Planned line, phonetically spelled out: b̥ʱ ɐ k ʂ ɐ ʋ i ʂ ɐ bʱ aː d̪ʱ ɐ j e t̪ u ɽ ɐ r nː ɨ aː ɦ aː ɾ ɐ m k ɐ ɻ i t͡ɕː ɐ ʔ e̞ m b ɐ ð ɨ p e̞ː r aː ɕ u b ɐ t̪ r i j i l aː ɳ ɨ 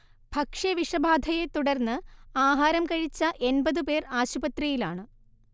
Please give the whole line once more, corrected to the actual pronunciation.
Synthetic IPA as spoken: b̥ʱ ɐ k ʂ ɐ ʋ i ʂ ɐ bʱ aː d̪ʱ ɐ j e t̪ u ɽ ɐ r nː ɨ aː ɦ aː ɾ ɐ m k ɐ ɻ i t͡ɕː ɐ ʔ e̞ n b ɐ ð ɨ p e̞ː r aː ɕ u b ɐ t̪ r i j i l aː ɳ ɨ